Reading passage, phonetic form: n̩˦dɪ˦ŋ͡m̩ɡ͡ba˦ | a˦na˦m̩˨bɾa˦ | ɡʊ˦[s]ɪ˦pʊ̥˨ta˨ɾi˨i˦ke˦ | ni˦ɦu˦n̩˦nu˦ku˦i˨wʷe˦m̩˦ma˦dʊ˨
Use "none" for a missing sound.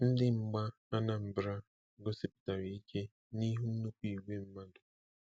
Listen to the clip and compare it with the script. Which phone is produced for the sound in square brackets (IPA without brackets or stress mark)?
s